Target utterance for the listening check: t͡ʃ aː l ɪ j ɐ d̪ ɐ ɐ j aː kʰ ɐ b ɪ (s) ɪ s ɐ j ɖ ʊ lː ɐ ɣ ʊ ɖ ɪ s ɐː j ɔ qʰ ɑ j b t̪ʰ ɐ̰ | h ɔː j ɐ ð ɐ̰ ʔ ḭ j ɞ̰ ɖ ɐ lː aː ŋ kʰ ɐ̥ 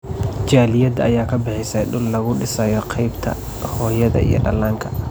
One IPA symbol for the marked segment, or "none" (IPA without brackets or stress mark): ħ